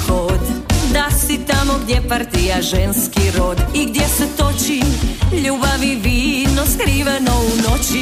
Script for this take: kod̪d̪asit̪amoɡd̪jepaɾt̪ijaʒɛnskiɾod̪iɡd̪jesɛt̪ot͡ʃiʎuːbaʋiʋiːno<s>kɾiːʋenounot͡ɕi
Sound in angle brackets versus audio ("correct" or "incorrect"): correct